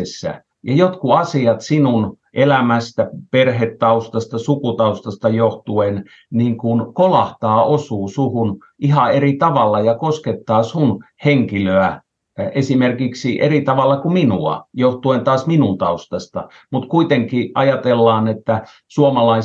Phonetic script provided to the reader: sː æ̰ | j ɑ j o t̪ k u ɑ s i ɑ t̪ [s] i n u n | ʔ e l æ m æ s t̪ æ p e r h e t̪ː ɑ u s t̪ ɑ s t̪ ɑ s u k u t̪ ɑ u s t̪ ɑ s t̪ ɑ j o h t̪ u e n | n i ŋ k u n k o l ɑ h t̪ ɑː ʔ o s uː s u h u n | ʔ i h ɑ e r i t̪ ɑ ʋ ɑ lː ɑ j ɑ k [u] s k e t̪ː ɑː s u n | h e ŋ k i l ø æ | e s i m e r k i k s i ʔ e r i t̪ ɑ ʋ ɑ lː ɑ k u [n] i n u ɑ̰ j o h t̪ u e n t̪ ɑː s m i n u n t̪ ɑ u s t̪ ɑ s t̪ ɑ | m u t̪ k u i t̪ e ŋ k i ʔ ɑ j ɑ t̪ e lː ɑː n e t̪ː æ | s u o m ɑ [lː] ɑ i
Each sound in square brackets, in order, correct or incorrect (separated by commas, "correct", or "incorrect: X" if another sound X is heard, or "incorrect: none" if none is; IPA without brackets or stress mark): correct, incorrect: o, incorrect: m, incorrect: l